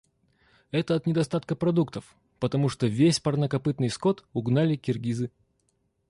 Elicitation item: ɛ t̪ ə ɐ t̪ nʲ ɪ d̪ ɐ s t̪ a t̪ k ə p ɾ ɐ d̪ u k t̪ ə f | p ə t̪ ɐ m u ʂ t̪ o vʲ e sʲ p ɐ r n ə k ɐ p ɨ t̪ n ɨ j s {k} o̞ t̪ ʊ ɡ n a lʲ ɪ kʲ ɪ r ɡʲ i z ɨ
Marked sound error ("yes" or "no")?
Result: no